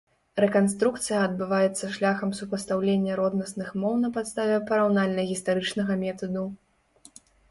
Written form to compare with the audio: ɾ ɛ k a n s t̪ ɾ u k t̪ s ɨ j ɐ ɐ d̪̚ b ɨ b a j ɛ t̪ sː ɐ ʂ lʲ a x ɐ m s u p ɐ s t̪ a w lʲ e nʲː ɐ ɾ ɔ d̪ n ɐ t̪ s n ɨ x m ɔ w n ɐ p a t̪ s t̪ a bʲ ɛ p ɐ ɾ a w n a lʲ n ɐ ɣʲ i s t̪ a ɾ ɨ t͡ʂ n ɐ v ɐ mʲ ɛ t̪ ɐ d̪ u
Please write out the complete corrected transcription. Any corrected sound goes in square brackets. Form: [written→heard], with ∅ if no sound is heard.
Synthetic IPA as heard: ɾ ɛ k a n s t̪ ɾ u k t̪ s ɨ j ɐ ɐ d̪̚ b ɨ [b→v] a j ɛ t̪ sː ɐ ʂ lʲ a x ɐ m s u p ɐ s t̪ a w lʲ e nʲː ɐ ɾ ɔ d̪ n ɐ [t̪→∅] s n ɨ x m ɔ w n ɐ p a t̪ s t̪ a [bʲ→vʲ] ɛ p ɐ ɾ a w n a lʲ n ɐ ɣʲ i s t̪ a ɾ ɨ t͡ʂ n ɐ [v→ɣ] ɐ mʲ ɛ t̪ ɐ d̪ u